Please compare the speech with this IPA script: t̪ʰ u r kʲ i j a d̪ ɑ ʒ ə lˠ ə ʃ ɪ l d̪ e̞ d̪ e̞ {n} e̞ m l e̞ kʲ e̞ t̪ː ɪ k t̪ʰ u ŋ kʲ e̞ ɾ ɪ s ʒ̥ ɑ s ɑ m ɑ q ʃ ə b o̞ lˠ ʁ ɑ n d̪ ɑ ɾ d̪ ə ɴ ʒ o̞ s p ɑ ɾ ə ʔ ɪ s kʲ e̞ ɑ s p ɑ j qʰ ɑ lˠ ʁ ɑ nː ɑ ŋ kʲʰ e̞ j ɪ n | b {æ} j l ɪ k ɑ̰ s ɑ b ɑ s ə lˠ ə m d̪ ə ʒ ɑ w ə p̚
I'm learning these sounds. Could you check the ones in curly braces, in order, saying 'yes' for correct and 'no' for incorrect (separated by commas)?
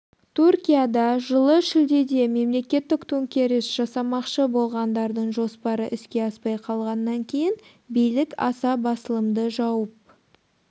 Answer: no, no